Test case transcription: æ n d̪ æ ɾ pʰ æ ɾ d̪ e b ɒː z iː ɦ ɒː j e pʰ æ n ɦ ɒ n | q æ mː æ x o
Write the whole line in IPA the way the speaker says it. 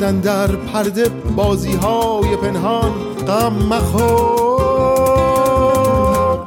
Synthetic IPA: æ n d̪ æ ɾ pʰ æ ɾ d̪ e b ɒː z iː ɦ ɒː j e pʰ e n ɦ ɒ n | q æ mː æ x o